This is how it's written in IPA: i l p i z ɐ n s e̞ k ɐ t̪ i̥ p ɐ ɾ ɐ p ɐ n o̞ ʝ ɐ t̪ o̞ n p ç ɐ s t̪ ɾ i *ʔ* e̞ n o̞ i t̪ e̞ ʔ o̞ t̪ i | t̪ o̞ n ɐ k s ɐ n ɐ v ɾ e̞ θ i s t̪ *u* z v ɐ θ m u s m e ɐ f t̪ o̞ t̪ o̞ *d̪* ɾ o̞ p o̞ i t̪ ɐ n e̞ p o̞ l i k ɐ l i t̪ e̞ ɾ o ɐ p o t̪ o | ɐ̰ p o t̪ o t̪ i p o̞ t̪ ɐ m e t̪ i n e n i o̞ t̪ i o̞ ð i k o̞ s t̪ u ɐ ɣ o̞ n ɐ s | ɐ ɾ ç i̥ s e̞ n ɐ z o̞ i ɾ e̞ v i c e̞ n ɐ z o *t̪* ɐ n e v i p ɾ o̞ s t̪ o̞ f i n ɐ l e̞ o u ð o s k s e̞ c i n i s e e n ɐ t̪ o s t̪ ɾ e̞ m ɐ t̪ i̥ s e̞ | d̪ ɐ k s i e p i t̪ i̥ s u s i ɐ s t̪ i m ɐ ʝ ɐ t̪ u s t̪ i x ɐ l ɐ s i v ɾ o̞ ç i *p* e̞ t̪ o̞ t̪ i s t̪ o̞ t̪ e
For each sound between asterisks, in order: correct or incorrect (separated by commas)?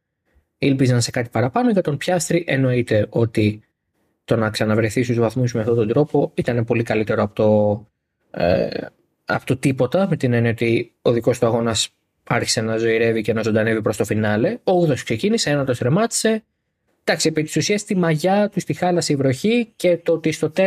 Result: correct, correct, correct, incorrect, incorrect